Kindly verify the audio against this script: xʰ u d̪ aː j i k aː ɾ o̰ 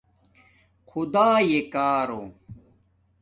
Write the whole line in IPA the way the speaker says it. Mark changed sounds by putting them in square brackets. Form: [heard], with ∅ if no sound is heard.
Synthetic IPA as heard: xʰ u d̪ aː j [e] k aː ɾ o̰